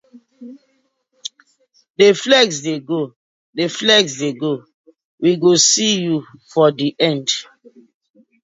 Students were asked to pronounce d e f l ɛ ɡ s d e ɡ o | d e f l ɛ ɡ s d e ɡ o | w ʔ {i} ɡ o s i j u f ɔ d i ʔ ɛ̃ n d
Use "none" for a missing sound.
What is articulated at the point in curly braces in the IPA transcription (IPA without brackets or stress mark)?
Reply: i